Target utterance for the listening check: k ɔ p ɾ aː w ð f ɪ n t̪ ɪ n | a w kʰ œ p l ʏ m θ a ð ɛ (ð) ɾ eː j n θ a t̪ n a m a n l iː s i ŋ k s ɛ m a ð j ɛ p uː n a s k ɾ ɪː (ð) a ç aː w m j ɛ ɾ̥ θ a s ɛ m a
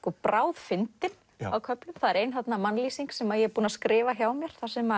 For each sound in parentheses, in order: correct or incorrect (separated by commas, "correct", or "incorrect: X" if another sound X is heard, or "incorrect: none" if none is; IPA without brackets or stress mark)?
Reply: incorrect: none, incorrect: v